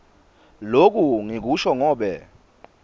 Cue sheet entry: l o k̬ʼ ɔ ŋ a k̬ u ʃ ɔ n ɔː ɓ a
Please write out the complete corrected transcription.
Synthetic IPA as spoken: l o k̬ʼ u ŋ i k̬ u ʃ ɔ ŋ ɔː ɓ ɛ